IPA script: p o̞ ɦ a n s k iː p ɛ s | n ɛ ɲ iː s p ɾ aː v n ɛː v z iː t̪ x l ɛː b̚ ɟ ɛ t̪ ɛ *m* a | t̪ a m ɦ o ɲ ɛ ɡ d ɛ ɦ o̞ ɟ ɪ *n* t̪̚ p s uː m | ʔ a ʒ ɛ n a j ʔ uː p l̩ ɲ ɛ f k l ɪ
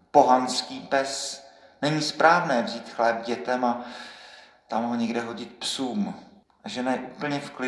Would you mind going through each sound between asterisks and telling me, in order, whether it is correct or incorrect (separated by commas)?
correct, incorrect